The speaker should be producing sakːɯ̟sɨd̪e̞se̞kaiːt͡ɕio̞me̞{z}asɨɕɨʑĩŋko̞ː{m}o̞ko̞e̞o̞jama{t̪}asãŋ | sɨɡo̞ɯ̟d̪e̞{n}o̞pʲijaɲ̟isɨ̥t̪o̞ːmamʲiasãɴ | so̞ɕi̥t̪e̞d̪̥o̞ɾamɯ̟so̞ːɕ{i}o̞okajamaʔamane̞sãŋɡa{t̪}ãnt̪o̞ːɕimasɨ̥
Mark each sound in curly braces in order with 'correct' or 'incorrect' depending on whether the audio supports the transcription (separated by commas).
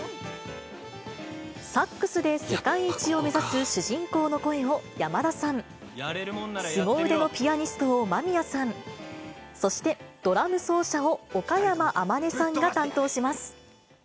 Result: correct, incorrect, incorrect, correct, incorrect, correct